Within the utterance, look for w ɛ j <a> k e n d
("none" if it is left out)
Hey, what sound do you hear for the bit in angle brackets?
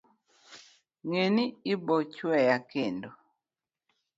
a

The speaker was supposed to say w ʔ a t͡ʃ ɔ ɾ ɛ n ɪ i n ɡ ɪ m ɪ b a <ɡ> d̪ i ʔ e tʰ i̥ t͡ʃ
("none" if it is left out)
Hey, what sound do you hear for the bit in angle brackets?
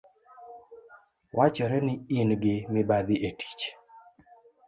none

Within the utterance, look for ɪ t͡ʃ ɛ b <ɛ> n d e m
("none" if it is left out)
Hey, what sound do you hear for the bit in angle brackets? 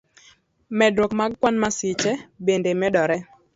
e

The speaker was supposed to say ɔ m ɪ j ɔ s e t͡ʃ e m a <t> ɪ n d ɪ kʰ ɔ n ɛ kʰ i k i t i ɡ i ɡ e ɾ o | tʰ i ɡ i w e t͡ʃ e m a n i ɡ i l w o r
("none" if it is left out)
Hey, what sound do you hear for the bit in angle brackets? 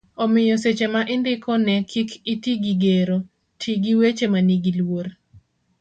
ʔ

